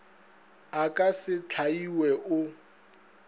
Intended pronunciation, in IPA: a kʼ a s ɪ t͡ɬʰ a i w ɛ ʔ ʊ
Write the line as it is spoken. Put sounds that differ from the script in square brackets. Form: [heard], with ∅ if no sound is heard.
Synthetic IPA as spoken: a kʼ a s ɪ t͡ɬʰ a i w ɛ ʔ ʊ